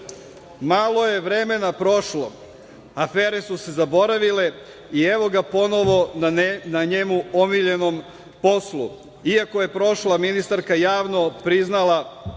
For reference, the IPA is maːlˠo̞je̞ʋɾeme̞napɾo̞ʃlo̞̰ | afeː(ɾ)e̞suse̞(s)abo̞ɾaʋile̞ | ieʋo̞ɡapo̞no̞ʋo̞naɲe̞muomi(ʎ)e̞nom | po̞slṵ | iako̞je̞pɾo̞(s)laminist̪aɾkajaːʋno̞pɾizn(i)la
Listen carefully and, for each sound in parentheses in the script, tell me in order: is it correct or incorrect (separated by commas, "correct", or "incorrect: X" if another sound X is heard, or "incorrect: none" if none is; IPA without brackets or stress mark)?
correct, incorrect: z, correct, incorrect: ʃ, incorrect: a